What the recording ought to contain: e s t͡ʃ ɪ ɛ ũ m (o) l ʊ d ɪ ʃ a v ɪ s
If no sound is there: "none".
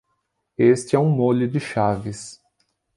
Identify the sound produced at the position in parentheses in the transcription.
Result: o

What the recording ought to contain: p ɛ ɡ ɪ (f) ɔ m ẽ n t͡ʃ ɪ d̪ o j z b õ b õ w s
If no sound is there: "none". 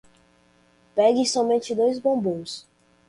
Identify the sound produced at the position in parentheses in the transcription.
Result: s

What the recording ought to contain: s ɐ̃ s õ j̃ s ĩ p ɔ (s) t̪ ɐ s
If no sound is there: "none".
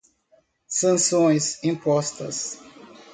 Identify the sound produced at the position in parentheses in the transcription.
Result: s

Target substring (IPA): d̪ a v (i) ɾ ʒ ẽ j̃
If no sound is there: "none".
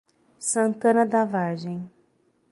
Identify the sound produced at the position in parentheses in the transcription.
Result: a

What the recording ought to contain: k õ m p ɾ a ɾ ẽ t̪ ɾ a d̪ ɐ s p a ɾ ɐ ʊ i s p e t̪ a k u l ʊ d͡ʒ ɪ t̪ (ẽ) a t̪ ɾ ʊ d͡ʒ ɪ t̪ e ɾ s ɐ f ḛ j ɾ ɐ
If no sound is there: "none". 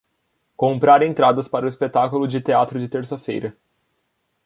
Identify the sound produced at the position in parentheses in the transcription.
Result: e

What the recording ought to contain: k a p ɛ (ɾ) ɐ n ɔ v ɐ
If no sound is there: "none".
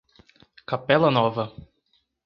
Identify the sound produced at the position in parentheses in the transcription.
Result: l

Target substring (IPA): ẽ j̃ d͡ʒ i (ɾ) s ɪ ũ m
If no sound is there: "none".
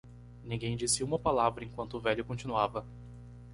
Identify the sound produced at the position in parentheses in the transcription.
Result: none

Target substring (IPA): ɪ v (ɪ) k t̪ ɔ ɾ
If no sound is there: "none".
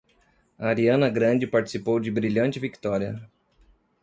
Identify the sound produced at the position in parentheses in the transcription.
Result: i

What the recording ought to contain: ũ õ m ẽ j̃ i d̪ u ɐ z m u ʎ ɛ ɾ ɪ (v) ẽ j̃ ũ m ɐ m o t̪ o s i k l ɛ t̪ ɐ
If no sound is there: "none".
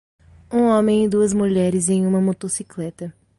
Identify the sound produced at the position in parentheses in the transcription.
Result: z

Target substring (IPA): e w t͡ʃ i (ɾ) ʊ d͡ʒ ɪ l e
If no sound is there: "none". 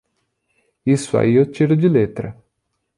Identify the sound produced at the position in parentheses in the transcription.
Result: ɾ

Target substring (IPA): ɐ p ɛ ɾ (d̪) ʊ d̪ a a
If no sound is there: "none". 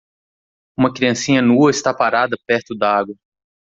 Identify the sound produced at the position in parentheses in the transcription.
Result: t̪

